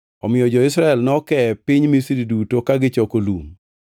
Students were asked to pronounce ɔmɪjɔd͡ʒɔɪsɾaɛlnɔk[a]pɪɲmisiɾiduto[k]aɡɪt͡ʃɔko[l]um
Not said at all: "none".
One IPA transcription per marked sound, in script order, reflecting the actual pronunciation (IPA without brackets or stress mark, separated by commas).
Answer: ɛ, k, l